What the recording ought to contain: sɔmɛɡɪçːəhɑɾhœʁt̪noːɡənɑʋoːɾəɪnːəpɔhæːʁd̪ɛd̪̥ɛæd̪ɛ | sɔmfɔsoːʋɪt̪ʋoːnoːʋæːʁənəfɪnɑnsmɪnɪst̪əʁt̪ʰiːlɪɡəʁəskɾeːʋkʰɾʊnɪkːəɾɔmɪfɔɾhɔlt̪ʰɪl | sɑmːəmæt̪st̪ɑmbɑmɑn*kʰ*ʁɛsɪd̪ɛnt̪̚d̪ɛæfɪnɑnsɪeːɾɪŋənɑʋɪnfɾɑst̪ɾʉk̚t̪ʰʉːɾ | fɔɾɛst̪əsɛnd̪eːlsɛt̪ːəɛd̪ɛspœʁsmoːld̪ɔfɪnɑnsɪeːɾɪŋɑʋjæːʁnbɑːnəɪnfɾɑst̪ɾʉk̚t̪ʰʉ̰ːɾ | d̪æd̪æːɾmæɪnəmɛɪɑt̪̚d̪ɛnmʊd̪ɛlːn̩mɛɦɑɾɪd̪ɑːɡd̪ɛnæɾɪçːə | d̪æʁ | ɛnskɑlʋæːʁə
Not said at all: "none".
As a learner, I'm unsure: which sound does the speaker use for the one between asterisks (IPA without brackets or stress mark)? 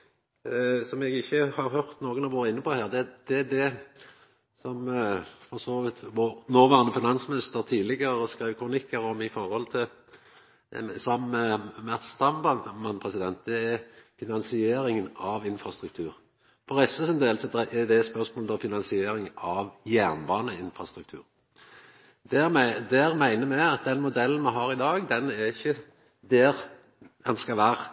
pʰ